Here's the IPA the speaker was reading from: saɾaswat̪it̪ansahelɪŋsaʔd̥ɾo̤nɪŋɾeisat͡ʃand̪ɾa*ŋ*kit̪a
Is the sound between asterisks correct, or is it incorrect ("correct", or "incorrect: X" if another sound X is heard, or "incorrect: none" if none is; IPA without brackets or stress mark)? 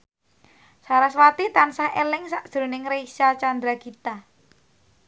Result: incorrect: none